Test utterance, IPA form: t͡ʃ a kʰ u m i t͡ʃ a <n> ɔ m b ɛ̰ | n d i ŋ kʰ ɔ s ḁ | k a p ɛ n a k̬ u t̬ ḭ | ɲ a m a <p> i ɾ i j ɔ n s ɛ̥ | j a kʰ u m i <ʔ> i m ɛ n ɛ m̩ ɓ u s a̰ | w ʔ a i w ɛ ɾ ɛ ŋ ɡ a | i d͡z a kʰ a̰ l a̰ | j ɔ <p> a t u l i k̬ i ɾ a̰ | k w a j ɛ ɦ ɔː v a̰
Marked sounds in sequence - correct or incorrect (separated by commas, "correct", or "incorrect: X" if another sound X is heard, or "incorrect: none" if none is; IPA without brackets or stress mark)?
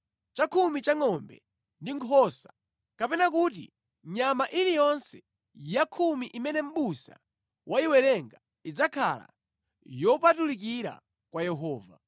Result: incorrect: ŋ, incorrect: ʔ, correct, correct